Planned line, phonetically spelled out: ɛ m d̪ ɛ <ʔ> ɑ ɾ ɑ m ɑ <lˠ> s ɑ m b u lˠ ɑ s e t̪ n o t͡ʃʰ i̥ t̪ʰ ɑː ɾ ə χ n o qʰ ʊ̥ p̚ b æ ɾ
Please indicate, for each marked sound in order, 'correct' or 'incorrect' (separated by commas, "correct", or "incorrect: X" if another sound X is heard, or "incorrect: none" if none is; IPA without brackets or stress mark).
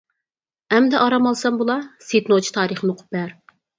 correct, correct